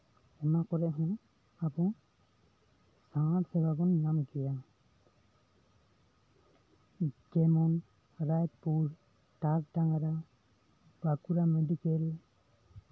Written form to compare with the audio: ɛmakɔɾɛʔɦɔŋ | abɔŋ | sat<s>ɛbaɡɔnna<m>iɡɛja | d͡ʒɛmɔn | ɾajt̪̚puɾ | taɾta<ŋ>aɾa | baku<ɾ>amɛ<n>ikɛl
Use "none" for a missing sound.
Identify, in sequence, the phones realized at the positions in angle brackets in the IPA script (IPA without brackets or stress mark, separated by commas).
s, m, ŋ, ɾ, d